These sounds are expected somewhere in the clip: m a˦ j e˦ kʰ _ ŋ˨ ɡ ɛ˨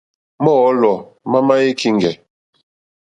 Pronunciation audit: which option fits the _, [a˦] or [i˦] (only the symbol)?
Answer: i˦